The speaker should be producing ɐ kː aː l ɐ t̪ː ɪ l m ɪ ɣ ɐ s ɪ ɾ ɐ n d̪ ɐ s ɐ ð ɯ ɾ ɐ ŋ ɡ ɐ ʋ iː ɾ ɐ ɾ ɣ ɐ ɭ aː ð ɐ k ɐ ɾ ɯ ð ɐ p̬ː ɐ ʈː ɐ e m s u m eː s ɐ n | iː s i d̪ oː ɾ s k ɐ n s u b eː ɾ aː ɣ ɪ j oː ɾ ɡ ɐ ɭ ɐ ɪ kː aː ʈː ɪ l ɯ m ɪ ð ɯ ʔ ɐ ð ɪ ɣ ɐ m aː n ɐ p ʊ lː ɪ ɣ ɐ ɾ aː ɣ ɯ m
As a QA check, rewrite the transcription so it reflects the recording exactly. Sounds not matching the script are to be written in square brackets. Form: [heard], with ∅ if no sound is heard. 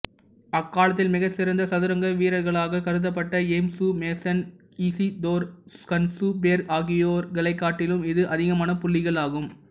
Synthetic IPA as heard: ɐ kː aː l ɐ t̪ː ɪ l m ɪ ɣ ɐ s ɪ ɾ ɐ n d̪ ɐ s ɐ ð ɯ ɾ ɐ ŋ ɡ ɐ ʋ iː ɾ ɐ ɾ ɣ ɐ ɭ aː [ɣ] ɐ k ɐ ɾ ɯ ð ɐ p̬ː ɐ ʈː ɐ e m s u m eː s ɐ n | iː s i d̪ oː ɾ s k ɐ n s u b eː ɾ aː ɣ ɪ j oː ɾ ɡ ɐ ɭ ɐ ɪ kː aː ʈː ɪ l ɯ m ɪ ð ɯ ʔ ɐ ð ɪ ɣ ɐ m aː n ɐ p ʊ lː ɪ ɣ ɐ [ɭ] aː ɣ ɯ m